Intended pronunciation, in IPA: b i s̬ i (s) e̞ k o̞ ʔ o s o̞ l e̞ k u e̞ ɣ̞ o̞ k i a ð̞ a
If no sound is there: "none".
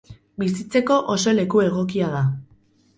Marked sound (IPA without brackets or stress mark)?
t͡s